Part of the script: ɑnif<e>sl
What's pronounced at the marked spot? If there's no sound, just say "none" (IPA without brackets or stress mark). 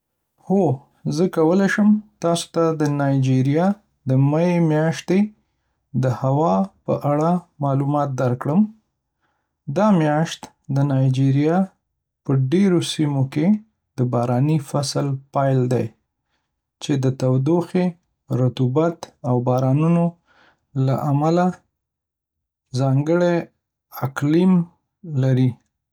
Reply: a